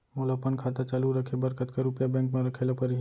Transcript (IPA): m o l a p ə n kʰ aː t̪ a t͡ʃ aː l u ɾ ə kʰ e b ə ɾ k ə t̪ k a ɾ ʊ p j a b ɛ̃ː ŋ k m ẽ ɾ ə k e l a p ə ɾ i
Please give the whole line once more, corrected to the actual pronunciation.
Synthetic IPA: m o l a p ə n kʰ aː t̪ a t͡ʃ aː l u ɾ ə kʰ e b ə ɾ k ə t̪ k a ɾ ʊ p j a b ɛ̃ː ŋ k m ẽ ɾ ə kʰ e l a p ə ɾ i